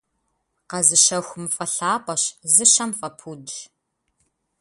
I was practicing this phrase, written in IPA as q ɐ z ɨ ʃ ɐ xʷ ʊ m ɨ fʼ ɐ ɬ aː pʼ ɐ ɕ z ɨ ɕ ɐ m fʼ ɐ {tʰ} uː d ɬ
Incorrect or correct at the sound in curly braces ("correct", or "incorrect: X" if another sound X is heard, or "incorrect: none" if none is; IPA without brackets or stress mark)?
incorrect: pʰ